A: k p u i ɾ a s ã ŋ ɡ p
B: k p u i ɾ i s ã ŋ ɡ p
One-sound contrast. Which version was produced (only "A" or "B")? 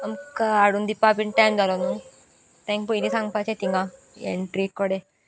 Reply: B